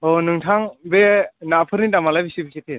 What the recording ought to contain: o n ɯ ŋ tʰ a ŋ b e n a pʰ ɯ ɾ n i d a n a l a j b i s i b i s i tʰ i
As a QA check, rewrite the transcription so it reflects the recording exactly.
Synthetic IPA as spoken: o n ɯ ŋ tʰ a ŋ b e n a pʰ ɯ ɾ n i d a m a l a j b i s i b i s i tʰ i